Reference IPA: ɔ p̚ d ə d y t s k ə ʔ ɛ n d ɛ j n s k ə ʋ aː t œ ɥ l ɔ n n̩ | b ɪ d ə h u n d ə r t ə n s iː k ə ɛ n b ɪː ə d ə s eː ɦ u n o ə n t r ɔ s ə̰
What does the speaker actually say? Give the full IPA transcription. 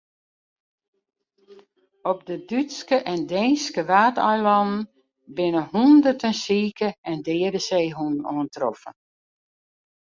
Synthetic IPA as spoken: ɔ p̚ d ə d y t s k ə ʔ ɛ n d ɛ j n s k ə ʋ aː t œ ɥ l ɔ n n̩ | b ɪ n ə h u n d ə r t ə n s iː k ə ɛ n d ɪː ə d ə s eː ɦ u n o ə n t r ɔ f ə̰